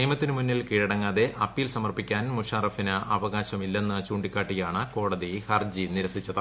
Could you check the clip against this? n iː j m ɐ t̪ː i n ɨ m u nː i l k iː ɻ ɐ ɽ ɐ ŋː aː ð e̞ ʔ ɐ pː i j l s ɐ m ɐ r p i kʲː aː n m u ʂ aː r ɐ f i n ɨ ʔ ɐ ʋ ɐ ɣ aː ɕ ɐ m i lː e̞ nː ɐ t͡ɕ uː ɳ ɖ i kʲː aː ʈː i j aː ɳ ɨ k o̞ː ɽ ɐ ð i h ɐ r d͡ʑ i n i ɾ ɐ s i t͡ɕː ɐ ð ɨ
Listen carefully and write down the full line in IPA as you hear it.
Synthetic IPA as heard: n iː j m ɐ t̪ː i n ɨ m u nː i l k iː ɻ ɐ ɽ ɐ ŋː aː ð e̞ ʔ ɐ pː i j l s ɐ m ɐ r p i kʲː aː n m u ʂ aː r ɐ f i n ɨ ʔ ɐ ʋ ɐ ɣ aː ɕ ɐ m i lː e̞ nː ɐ t͡ɕ uː ɳ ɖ i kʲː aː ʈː i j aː ɳ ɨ k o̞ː ɽ ɐ ð i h ɐ r d͡ʑ i n i ɾ ɐ s i t͡ɕː ɐ ð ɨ

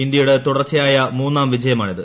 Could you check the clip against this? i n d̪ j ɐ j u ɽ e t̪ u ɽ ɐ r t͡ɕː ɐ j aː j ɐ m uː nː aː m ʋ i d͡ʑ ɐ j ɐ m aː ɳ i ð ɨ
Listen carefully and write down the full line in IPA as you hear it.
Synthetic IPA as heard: i n d̪ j ɐ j u ɽ e t̪ u ɽ ɐ r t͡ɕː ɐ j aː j ɐ m uː nː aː m ʋ i d͡ʑ ɐ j ɐ m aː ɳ i ð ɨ

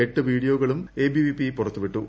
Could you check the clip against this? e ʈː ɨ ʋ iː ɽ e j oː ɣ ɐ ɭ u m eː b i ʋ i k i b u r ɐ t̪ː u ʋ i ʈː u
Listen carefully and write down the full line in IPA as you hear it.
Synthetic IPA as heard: e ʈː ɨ ʋ iː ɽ i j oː ɣ ɐ ɭ u m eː b i ʋ i p i p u r ɐ t̪ː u ʋ i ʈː u

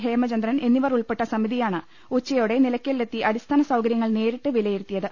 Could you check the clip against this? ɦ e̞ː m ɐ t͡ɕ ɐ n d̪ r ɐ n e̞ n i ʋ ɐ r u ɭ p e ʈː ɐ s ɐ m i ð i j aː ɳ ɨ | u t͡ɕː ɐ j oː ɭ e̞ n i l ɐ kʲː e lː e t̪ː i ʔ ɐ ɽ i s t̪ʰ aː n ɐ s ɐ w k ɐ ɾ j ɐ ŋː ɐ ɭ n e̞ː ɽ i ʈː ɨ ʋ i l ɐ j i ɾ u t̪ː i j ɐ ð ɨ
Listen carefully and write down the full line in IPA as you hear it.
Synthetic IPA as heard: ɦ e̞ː m ɐ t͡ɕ ɐ n d̪ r ɐ n e̞ nː i ʋ ɐ r u ɭ p e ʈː ɐ s ɐ m i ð i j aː ɳ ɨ | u t͡ɕː ɐ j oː ɽ e̞ n i l ɐ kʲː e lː e t̪ː i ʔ ɐ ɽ i s t̪ʰ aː n ɐ s ɐ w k ɐ ɾ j ɐ ŋː ɐ ɭ n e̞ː ɾ i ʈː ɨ ʋ i l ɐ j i ɾ u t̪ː i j ɐ ð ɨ

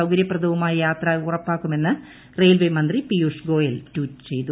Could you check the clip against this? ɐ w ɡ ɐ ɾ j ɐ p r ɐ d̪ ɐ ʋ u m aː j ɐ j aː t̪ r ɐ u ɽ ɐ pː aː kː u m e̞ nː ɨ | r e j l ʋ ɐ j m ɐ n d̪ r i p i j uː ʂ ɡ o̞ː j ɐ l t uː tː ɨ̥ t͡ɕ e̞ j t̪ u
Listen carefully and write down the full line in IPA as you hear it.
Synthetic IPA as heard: ɐ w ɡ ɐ ɾ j ɐ p r ɐ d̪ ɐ ʋ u m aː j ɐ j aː t̪ r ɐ u r ɐ pː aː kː u m e̞ nː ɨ | r e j l ʋ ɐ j m ɐ n d̪ r i p i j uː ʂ ɡ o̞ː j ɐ l t uː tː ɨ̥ t͡ɕ e̞ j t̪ u

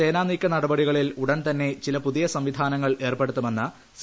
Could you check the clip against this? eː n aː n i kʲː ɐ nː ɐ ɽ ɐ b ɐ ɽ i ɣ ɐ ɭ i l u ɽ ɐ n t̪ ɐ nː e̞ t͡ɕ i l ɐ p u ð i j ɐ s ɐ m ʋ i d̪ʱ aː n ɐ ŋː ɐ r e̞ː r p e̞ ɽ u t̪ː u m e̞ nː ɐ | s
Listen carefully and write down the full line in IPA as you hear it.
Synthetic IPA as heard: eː n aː n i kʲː ɐ n ɐ ɽ ɐ b ɐ ɽ i ɣ ɐ ɭ i l u ɽ ɐ n t̪ ɐ nː e̞ t͡ɕ i l ɐ p u ð i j ɐ s ɐ m ʋ i d̪ʱ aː n ɐ ŋː ɐ ɭ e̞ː r p e̞ ɽ u t̪ː u m e̞ nː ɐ | s

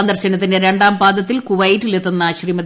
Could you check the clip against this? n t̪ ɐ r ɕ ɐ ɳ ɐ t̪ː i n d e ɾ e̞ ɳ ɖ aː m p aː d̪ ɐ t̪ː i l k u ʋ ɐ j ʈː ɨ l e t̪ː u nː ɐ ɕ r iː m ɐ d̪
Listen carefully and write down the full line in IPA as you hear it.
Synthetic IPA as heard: n d̪ ɐ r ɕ ɐ n ɐ t̪ː i n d e ɾ e̞ ɳ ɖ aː m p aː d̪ ɐ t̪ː i l k u ʋ ɐ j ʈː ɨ l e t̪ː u nː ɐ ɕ r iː m ɐ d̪

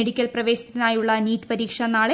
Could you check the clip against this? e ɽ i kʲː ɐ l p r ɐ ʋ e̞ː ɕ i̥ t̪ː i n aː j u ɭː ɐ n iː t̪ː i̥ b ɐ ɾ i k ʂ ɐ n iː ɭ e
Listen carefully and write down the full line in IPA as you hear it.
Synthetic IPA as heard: e ɽ i kʲː ɐ l p r ɐ ʋ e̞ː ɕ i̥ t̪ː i n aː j u ɭː ɐ n iː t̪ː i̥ p ɐ ɾ iː k ʂ ɐ n aː ɭ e

